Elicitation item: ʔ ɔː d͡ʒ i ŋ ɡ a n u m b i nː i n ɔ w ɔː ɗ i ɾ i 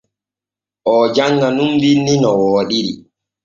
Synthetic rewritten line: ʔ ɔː d͡ʒ a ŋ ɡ a n u m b i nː i n ɔ w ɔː ɗ i ɾ i